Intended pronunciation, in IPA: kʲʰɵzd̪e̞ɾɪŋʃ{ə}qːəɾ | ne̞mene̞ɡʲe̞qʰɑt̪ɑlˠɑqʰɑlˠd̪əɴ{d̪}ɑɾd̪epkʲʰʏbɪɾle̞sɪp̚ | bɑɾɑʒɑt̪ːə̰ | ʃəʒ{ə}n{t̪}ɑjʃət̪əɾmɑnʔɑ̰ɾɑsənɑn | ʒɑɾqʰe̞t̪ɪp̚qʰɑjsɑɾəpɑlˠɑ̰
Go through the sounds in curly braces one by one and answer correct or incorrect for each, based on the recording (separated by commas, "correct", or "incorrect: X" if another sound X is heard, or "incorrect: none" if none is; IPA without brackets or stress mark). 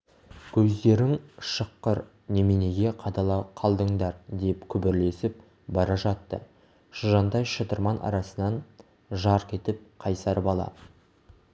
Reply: correct, correct, incorrect: ɑ, incorrect: d̪